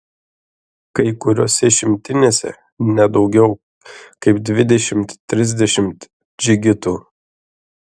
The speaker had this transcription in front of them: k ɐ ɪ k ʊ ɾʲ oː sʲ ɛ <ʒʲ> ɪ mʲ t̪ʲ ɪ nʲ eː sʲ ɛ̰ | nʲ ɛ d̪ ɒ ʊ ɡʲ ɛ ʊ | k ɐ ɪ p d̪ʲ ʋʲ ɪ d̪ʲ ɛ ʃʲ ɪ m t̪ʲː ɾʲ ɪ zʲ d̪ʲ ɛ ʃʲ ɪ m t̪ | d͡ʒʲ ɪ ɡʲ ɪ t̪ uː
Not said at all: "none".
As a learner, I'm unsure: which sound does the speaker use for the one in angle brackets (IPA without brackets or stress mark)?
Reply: ʃʲ